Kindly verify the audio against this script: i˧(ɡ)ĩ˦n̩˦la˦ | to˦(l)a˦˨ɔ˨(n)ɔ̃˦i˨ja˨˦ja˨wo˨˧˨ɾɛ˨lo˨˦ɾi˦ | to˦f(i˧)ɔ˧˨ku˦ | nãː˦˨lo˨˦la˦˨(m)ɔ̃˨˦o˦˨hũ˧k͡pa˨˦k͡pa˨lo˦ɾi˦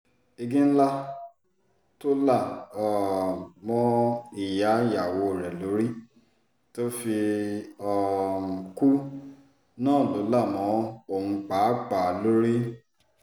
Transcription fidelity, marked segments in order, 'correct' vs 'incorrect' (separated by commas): correct, correct, incorrect, correct, correct